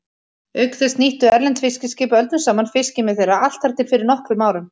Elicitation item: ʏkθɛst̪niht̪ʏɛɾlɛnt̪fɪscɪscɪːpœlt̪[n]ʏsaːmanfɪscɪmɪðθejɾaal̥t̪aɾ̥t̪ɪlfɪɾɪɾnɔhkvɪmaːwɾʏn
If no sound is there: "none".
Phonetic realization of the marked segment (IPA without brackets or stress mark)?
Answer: n